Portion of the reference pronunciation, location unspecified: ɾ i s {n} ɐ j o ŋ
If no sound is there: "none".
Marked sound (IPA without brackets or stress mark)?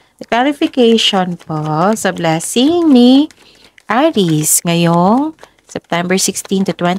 ŋ